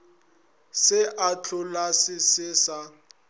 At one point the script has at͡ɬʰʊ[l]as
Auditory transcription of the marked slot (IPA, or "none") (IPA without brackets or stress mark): l